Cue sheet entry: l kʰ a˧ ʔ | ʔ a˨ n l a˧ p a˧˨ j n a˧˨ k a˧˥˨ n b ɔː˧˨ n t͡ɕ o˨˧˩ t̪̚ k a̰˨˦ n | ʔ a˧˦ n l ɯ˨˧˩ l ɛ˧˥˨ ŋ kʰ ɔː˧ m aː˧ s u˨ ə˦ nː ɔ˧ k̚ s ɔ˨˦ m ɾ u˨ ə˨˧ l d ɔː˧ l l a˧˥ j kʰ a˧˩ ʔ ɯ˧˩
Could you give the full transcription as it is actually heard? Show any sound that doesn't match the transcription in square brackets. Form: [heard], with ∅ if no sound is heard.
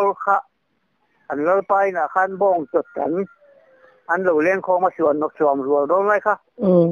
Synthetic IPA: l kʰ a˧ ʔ | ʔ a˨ n l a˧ p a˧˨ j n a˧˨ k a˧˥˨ n b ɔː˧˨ [ŋ] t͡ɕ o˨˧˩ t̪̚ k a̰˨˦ n | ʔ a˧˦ n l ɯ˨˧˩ l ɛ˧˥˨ ŋ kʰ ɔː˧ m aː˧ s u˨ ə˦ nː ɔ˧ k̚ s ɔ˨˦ m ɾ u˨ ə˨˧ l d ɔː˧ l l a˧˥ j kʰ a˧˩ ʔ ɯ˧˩